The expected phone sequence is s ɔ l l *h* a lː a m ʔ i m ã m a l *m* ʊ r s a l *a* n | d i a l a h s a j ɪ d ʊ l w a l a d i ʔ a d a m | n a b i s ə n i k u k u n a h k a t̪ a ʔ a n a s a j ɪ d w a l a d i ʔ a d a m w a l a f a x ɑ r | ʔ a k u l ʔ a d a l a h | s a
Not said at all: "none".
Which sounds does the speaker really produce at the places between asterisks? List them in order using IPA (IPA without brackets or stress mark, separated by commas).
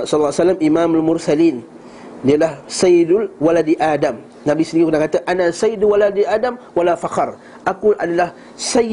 s, m, i